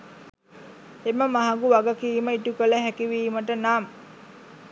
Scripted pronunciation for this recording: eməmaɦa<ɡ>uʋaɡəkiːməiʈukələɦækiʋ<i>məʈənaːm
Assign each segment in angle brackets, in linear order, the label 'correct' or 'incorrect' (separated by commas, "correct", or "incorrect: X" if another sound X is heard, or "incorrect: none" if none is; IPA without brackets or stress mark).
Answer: correct, incorrect: iː